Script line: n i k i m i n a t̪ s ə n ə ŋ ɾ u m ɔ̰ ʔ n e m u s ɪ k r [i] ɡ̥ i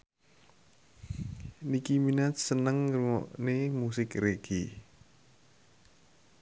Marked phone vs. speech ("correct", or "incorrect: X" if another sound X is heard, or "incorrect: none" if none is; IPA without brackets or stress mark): incorrect: e